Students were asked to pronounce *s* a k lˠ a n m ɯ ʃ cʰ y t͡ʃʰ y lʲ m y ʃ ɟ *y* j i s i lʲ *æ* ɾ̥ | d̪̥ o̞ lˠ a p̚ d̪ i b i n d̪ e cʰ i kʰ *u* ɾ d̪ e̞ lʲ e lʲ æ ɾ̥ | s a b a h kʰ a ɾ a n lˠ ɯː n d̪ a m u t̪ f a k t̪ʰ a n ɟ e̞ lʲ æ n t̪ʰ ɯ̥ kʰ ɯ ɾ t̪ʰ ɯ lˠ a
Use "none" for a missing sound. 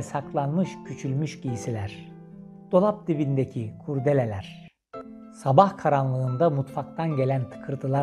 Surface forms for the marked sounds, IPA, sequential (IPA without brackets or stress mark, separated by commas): s, i, æ, u